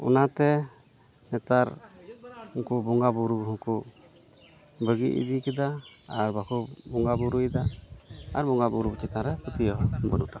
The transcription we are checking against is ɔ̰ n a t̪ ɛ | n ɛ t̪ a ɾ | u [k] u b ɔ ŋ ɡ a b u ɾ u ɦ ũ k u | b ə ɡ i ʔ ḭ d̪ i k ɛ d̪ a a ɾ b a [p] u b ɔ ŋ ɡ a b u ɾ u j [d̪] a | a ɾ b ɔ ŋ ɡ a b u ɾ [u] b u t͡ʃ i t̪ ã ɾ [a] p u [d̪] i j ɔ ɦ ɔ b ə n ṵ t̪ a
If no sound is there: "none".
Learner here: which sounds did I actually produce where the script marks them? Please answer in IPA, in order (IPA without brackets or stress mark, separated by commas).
k, k, d̪, u, ɛ, t̪